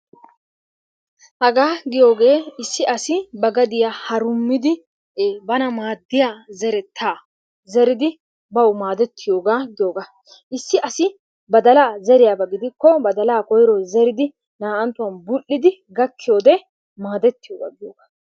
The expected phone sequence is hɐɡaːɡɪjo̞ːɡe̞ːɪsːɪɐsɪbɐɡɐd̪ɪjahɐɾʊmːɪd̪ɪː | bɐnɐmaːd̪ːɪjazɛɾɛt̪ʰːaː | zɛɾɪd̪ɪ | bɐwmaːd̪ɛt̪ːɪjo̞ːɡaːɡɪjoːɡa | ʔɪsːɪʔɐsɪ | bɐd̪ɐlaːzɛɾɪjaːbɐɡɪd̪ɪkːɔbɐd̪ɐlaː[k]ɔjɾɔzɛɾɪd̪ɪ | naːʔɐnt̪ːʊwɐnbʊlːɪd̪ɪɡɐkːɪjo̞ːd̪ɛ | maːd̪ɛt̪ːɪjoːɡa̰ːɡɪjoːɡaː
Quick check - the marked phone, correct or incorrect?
correct